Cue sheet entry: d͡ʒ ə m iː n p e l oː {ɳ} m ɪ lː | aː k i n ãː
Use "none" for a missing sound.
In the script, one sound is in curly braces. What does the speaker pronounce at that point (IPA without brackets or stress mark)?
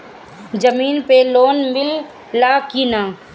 n